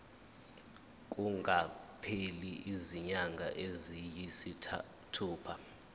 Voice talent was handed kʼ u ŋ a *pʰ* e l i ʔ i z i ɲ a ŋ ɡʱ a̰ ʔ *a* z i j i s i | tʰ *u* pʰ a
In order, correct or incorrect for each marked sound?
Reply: correct, incorrect: e, incorrect: uː

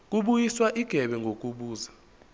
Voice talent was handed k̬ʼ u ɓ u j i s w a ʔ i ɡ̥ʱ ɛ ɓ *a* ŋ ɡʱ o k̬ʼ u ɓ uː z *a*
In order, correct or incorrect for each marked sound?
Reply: incorrect: ɛ, correct

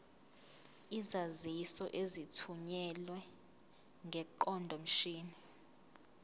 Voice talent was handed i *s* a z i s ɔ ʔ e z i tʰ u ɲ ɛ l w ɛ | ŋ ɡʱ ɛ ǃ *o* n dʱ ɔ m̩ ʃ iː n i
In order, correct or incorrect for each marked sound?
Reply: incorrect: z, incorrect: ɔ

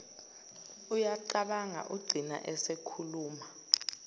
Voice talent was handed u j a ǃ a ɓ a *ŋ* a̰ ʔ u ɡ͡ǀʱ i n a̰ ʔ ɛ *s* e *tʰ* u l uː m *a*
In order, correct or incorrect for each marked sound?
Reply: correct, correct, incorrect: kʰ, correct

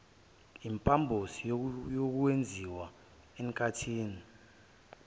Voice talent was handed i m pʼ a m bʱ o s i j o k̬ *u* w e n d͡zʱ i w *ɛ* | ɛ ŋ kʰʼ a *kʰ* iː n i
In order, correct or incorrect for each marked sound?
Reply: correct, incorrect: a, incorrect: tʰ

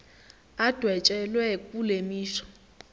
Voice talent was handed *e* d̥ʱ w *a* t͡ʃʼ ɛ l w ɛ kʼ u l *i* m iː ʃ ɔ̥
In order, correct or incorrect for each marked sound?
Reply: incorrect: a, incorrect: ɛ, incorrect: e

